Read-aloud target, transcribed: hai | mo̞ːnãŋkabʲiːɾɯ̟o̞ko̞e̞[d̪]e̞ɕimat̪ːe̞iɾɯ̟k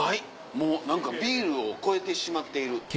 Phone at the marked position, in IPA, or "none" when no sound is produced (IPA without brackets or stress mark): t̪